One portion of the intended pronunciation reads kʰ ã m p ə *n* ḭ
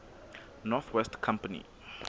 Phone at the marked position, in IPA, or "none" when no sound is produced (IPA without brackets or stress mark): n